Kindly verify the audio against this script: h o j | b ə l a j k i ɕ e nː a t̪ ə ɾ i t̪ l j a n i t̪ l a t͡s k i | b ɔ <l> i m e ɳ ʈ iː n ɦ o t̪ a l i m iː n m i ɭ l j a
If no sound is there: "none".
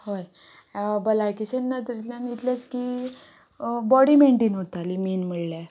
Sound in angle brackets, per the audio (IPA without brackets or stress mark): ɽ